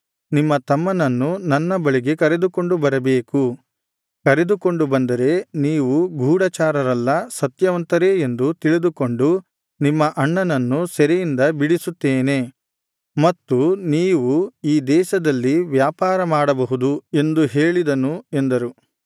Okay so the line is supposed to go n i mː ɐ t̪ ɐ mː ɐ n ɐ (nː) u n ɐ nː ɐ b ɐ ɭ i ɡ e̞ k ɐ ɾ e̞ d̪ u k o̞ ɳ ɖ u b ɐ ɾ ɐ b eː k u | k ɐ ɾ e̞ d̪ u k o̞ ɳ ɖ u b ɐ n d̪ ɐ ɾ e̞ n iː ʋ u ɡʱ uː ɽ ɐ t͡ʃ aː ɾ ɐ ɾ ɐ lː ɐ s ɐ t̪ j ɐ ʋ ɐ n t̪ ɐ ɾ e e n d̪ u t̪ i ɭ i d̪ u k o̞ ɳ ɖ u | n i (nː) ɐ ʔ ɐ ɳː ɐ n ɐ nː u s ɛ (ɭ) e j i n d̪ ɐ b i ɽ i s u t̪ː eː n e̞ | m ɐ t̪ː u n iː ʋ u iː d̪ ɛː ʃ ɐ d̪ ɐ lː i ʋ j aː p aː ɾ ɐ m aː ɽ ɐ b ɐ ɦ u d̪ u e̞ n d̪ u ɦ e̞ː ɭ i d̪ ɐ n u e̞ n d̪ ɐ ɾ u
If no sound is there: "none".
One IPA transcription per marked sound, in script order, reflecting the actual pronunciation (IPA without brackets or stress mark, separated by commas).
nː, mː, ɾ